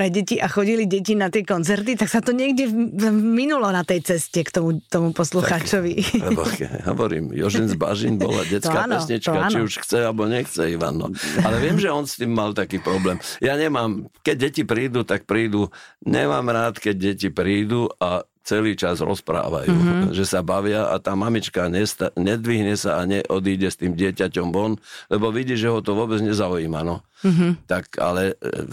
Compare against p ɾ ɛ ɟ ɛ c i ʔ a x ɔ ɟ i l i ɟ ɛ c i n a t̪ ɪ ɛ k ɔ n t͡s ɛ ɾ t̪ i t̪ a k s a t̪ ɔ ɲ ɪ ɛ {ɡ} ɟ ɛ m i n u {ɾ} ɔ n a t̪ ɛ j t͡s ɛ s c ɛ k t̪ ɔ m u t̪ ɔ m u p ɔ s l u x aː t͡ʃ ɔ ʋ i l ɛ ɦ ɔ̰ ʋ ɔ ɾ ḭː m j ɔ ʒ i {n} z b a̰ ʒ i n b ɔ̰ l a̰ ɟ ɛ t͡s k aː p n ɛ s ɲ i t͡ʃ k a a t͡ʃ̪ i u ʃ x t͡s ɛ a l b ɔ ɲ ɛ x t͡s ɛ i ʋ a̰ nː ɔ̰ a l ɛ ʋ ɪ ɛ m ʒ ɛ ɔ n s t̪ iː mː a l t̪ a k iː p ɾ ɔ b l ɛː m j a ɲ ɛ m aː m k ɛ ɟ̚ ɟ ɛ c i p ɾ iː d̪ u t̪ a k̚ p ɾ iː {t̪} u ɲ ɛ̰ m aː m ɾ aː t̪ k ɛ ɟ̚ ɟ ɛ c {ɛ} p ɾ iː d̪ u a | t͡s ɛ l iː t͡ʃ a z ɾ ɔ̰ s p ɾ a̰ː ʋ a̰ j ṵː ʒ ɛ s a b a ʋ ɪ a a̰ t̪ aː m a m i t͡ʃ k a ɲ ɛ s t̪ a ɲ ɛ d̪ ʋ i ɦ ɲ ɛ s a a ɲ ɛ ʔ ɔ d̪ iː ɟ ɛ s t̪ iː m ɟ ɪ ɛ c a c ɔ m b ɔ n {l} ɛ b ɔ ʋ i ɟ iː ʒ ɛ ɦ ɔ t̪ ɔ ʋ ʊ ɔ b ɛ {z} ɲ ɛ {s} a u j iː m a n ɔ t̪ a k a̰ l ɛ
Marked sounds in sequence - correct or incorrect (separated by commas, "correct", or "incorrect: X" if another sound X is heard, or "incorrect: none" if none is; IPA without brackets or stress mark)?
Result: correct, incorrect: l, correct, incorrect: d̪, incorrect: i, correct, incorrect: d͡z, incorrect: z